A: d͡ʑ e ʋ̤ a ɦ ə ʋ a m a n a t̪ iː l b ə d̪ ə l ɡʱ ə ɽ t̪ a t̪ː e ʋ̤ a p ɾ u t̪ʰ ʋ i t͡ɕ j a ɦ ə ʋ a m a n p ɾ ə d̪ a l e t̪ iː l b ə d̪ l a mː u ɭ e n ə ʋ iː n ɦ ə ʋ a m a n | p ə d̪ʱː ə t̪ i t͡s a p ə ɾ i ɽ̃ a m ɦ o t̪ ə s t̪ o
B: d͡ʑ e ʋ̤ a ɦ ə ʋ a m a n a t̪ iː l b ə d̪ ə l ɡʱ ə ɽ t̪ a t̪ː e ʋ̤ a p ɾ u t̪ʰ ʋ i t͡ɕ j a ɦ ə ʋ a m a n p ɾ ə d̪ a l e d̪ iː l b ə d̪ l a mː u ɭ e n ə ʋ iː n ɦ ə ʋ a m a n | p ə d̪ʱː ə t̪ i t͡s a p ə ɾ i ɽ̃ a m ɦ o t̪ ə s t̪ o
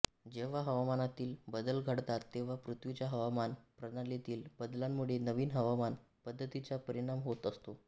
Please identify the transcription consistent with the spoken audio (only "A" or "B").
A